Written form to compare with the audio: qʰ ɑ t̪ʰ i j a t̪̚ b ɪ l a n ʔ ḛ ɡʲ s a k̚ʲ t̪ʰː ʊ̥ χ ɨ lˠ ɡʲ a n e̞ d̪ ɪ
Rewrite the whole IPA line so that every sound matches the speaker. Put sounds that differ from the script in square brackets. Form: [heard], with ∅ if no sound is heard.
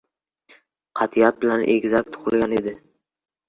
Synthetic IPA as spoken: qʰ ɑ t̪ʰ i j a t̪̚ b ɪ l a n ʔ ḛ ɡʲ [z] a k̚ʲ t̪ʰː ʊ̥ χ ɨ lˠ ɡʲ a n e̞ d̪ ɪ

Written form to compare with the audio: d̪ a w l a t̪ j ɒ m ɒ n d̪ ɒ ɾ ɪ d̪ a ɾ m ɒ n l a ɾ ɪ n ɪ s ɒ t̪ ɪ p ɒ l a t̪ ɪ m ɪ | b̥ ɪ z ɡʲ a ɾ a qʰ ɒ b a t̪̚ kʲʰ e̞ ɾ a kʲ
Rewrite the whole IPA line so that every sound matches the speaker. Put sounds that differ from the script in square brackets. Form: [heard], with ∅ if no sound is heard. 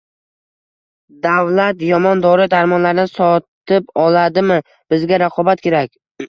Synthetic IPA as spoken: d̪ a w l a t̪ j ɒ m ɒ n d̪ ɒ ɾ ɪ d̪ a ɾ m ɒ n l a ɾ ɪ n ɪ s ɒ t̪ ɪ p ɒ l a [d̪] ɪ m ɪ | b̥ ɪ z ɡʲ a ɾ a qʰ ɒ b a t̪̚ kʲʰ e̞ ɾ a kʲ

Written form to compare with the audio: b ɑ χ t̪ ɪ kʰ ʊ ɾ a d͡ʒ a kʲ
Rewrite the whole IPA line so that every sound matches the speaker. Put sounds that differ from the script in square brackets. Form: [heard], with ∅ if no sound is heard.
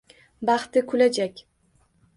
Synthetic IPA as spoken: b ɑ χ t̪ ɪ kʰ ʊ [l] a d͡ʒ a kʲ

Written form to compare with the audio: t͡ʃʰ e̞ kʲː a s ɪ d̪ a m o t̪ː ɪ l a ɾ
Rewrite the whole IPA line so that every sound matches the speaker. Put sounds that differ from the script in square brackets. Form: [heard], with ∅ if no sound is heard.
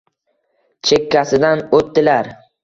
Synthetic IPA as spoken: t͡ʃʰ e̞ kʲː a s ɪ d̪ a [n] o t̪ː ɪ l a ɾ

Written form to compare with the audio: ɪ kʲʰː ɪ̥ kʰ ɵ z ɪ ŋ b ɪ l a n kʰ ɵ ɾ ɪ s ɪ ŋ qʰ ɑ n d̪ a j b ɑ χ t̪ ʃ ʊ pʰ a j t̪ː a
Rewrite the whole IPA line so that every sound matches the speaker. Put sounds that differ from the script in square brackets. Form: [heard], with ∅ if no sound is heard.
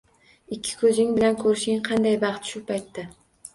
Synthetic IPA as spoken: ɪ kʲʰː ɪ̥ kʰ ɵ z ɪ ŋ b ɪ l a n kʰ ɵ ɾ ɪ [ʃ] ɪ ŋ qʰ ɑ n d̪ a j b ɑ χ t̪ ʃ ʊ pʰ a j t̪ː a

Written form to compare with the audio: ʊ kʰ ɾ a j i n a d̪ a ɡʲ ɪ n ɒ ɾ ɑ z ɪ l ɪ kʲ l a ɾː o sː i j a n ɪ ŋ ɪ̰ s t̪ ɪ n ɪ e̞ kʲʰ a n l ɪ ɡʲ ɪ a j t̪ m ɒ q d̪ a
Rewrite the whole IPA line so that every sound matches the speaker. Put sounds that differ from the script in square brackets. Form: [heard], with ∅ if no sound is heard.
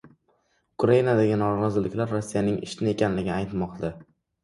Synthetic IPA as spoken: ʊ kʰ ɾ a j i n a d̪ a ɡʲ ɪ n ɒ ɾ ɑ z ɪ l ɪ kʲ l a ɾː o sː i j a n ɪ ŋ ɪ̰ [ʃ] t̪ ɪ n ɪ e̞ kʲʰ a n l ɪ ɡʲ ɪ a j t̪ m ɒ q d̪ a

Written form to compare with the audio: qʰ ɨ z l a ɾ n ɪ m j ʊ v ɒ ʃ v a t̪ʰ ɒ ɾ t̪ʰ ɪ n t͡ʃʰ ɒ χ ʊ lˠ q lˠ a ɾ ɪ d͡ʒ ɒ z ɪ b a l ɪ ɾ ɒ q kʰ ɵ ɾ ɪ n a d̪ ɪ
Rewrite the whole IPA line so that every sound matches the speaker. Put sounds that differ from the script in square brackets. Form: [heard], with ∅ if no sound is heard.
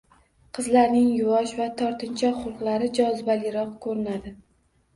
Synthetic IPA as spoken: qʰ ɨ z l a ɾ n ɪ [ŋ] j ʊ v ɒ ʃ v a t̪ʰ ɒ ɾ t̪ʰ ɪ n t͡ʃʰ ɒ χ ʊ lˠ q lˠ a ɾ ɪ d͡ʒ ɒ z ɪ b a l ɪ ɾ ɒ q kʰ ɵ ɾ ɪ n a d̪ ɪ

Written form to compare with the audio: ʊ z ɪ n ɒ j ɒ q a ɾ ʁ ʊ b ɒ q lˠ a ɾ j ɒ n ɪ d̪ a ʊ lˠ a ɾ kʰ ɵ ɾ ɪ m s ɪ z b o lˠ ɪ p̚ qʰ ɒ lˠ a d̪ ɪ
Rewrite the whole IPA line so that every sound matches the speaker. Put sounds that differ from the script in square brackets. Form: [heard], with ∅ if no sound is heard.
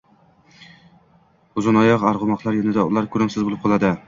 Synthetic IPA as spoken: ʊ z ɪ n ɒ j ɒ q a ɾ ʁ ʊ [m] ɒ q lˠ a ɾ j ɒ n ɪ d̪ a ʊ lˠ a ɾ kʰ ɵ ɾ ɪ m s ɪ z b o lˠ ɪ p̚ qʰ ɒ lˠ a d̪ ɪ

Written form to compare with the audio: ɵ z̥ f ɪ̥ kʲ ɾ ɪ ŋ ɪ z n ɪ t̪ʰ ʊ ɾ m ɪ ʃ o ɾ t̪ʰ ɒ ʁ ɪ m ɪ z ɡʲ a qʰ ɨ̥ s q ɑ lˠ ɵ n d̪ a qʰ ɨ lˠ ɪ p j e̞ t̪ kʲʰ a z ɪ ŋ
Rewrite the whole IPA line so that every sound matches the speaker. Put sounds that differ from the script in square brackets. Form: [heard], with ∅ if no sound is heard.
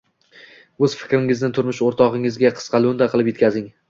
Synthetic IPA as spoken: ɵ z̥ f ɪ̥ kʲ ɾ ɪ ŋ ɪ z n ɪ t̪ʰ ʊ ɾ m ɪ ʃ o ɾ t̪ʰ ɒ ʁ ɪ [ŋ] ɪ z ɡʲ a qʰ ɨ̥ s q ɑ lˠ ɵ n d̪ a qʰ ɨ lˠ ɪ p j e̞ t̪ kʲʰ a z ɪ ŋ

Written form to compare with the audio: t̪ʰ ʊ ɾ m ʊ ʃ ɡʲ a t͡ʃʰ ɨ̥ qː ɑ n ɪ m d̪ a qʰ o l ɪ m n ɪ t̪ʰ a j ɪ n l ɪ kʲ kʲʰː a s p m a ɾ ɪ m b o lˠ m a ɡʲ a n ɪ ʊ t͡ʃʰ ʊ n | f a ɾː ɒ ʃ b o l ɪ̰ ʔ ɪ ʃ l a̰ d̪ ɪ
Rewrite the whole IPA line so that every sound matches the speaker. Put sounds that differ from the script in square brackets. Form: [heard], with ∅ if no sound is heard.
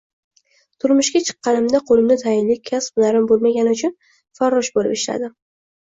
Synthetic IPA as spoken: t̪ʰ ʊ ɾ m ʊ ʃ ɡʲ a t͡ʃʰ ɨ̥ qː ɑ n ɪ m d̪ a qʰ o l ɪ m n ɪ t̪ʰ a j ɪ n l ɪ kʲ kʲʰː a s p [n] a ɾ ɪ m b o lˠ m a ɡʲ a n ɪ ʊ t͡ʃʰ ʊ n | f a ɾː ɒ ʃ b o l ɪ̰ [p] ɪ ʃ l a̰ d̪ ɪ

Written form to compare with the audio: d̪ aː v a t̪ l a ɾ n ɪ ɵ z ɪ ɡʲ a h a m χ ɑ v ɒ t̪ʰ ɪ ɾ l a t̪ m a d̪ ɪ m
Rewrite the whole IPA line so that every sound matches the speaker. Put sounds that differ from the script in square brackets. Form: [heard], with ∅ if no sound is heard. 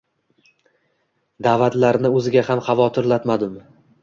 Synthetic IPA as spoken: d̪ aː v a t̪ l a ɾ n ɪ ɵ z ɪ ɡʲ a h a m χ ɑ v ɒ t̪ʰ ɪ ɾ l a t̪ m a d̪ ɪ m

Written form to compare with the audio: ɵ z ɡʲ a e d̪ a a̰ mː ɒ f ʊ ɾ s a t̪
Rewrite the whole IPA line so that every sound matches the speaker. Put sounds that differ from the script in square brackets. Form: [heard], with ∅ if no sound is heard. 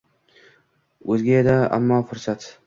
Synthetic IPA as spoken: ɵ z ɡʲ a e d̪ a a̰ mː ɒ f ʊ ɾ s a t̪

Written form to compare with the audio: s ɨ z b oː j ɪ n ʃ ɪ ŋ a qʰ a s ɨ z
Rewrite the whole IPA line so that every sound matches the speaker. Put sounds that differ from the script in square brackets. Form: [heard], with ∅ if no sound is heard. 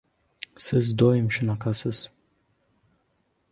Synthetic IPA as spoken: s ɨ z [d] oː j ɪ [m] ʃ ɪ [n] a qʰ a s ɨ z

